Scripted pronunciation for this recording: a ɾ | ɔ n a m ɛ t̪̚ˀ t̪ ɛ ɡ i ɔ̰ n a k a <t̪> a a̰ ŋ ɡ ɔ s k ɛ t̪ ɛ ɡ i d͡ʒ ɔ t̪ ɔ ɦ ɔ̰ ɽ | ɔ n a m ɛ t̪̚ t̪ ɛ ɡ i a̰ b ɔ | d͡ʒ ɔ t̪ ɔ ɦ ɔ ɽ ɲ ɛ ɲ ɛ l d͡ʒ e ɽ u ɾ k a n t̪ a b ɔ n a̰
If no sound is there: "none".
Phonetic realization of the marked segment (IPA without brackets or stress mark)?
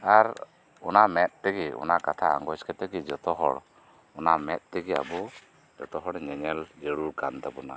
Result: t̪ʰ